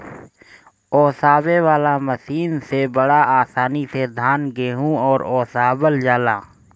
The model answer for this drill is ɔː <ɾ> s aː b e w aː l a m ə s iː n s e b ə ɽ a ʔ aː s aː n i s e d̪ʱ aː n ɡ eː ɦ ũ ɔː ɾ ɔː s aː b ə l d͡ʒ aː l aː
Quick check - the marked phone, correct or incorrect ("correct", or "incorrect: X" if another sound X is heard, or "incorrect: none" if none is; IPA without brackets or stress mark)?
incorrect: none